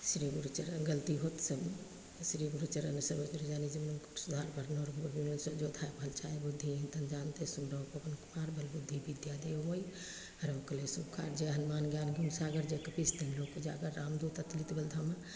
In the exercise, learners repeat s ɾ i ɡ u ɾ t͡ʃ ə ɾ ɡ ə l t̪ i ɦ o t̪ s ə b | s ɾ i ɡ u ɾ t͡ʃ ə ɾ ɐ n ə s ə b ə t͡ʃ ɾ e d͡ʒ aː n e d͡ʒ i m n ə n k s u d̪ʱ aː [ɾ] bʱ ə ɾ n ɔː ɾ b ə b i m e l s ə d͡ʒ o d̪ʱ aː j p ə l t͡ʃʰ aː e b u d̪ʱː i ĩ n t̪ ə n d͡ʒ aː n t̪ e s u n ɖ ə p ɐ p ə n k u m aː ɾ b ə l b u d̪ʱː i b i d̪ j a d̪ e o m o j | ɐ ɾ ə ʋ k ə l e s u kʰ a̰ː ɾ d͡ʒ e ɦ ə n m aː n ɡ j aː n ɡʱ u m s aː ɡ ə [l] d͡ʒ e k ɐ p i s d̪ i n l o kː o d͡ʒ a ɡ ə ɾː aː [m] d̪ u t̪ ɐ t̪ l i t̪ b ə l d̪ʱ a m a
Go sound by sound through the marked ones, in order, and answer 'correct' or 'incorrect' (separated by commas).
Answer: correct, incorrect, correct